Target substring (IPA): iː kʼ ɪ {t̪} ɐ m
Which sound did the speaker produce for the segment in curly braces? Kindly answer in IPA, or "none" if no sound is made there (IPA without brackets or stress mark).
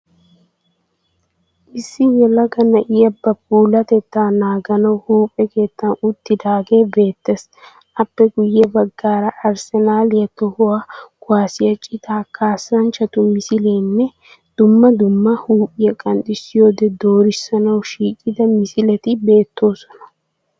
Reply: d̪